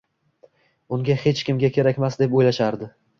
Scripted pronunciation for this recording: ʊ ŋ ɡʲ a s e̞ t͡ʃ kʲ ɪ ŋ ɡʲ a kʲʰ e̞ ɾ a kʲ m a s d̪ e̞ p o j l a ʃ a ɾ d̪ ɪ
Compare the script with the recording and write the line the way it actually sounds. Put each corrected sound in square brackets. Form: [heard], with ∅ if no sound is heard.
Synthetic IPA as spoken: ʊ ŋ ɡʲ a [h] e̞ t͡ʃ kʲ ɪ [m] ɡʲ a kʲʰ e̞ ɾ a kʲ m a s d̪ e̞ p o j l a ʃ a ɾ d̪ ɪ